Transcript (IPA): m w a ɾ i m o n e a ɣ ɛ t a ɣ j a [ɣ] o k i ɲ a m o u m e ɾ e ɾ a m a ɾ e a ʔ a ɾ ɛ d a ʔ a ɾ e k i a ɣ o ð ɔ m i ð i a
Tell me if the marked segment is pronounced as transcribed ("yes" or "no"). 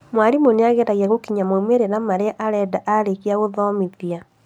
yes